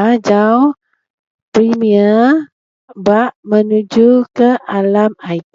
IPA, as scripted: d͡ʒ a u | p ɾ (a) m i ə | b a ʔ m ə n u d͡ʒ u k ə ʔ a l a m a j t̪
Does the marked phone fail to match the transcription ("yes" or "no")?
yes